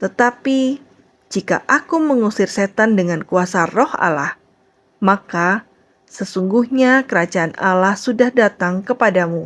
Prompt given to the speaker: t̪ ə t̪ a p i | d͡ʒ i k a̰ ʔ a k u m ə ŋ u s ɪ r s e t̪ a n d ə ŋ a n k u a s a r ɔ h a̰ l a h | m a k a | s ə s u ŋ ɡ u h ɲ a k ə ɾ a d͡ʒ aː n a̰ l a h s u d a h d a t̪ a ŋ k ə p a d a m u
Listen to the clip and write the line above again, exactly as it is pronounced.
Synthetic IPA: t̪ ə t̪ a p i | d͡ʒ i k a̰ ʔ a k u m ə ŋ u s ɪ r s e t̪ a n d ə ŋ a n k u a s a r ɔ h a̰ l a h | m a k a | s ə s u ŋ ɡ u h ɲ a k ə ɾ a d͡ʒ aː n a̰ l a h s u d a h d a t̪ a ŋ k ə p a d a m u